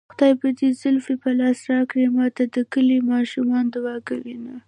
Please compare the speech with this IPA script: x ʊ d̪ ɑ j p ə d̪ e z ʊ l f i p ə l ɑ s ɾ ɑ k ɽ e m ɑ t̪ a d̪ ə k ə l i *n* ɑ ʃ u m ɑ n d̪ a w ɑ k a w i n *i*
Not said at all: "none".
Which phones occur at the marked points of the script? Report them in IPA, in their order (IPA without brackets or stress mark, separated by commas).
m, a